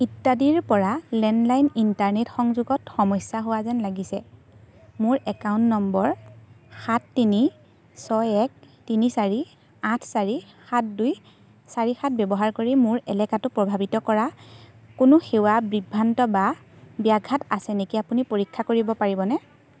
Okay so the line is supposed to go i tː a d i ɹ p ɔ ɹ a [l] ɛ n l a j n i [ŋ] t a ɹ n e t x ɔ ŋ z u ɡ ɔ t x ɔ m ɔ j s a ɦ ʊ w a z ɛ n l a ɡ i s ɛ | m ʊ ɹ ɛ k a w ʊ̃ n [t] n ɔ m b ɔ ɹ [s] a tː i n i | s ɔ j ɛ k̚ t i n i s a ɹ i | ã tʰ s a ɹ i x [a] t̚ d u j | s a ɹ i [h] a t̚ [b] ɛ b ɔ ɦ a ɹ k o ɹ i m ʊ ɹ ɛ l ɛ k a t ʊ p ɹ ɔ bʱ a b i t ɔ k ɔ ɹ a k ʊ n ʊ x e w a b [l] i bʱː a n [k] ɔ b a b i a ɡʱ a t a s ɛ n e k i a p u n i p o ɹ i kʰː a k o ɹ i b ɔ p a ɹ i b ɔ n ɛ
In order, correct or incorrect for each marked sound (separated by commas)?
correct, incorrect, correct, incorrect, correct, incorrect, correct, incorrect, incorrect